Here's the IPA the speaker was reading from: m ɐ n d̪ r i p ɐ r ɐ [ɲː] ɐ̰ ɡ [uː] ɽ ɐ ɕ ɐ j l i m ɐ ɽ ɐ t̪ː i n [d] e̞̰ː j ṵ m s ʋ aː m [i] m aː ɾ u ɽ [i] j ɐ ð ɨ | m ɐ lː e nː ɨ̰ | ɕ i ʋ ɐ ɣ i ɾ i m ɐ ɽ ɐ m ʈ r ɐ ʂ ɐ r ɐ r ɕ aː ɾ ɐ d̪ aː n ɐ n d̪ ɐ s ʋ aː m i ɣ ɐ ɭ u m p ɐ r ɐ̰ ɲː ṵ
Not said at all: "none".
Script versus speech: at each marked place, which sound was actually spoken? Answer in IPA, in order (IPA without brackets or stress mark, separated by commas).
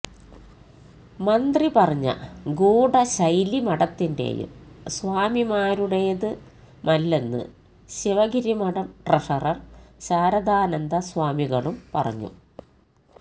ɲː, uː, d, i, e